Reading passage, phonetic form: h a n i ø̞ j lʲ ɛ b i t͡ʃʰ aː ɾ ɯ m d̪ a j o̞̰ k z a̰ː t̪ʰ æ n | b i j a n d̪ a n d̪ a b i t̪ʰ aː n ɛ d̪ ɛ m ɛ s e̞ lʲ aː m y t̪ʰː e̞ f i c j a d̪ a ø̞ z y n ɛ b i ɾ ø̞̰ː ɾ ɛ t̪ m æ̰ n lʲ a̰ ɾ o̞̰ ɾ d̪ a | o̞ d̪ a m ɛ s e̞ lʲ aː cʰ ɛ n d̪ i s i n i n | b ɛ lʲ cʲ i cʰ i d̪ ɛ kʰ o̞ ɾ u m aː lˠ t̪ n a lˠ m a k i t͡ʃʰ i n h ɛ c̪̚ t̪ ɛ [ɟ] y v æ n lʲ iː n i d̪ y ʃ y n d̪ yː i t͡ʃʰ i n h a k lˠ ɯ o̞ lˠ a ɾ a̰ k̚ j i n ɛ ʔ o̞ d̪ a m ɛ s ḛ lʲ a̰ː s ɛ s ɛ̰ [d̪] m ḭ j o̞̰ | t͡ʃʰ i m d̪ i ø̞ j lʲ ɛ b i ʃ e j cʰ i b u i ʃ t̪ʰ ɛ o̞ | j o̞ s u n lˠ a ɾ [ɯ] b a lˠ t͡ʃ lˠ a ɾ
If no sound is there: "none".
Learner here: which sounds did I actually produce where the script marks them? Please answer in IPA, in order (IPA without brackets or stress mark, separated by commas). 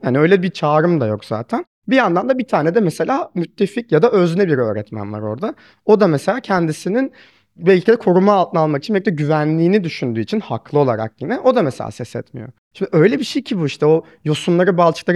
ɟ, t̪, ɯ